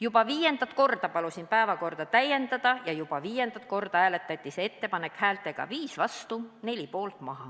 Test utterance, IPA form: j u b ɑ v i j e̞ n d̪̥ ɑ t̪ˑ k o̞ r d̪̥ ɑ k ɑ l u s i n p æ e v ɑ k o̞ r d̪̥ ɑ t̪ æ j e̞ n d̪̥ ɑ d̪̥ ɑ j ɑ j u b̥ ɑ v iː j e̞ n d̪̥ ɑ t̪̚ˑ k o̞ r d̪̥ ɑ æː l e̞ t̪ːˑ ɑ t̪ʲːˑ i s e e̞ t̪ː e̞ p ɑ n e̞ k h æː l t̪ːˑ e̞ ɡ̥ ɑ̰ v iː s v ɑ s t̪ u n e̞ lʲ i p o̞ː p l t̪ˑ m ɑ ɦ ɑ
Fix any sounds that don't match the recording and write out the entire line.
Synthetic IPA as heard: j u b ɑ v iː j e̞ n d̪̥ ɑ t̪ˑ k o̞ r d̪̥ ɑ p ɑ l u s i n p æ e v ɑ k o̞ r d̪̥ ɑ t̪ æ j e̞ n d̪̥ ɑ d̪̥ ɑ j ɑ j u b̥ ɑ v iː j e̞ n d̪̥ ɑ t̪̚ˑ k o̞ r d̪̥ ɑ æː l e̞ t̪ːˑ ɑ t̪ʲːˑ i s e e̞ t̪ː e̞ p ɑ n e̞ k h æː l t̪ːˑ e̞ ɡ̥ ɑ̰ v iː s v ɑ s t̪ u n e̞ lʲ i p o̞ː l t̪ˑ m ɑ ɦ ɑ